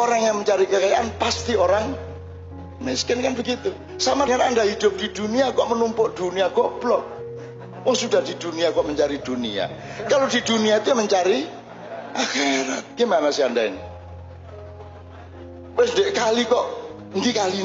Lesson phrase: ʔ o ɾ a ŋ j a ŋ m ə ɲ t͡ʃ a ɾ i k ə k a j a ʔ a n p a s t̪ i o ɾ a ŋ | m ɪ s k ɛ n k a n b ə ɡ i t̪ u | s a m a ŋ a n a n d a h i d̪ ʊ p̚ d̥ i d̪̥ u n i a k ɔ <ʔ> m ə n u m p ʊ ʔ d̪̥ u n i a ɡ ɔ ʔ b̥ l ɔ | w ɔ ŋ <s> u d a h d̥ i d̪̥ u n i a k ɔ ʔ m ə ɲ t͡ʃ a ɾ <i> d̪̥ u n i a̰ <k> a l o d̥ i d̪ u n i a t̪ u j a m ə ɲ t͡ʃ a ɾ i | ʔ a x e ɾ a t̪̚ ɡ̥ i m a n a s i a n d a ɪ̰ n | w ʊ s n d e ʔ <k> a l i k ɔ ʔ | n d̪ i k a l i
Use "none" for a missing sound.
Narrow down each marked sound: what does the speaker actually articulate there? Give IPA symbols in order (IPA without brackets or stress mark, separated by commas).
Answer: ʔ, s, i, k, k